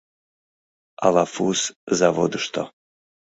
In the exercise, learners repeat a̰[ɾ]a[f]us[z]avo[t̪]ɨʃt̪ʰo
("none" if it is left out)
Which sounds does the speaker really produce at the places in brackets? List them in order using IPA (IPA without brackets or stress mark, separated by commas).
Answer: l, f, z, d̪